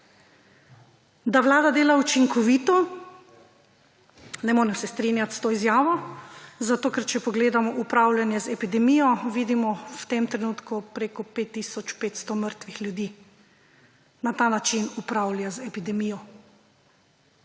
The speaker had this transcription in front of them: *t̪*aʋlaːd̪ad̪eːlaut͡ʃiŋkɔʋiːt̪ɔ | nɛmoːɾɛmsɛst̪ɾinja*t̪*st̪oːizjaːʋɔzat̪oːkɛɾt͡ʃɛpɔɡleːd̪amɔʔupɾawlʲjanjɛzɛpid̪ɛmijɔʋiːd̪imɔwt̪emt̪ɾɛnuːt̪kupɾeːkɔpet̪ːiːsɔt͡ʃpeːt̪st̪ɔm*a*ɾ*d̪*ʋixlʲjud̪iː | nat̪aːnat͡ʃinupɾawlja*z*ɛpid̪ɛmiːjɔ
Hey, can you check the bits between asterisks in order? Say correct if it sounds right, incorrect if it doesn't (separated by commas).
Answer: incorrect, correct, incorrect, incorrect, correct